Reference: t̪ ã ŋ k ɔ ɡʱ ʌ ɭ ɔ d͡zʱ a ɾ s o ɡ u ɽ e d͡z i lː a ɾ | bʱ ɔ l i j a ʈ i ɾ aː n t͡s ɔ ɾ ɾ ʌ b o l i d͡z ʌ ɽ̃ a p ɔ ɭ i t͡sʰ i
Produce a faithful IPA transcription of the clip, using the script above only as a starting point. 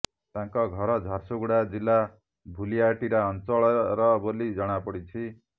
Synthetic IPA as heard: t̪ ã ŋ k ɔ ɡʱ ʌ ɾ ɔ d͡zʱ a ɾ s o ɡ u ɽ a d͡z i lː a | bʱ u l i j a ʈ i ɾ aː n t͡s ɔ ɭ ɾ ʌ b o l i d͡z ʌ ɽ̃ a p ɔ ɽ i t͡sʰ i